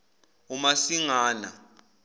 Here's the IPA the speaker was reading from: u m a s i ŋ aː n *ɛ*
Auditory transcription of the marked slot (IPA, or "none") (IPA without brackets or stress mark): a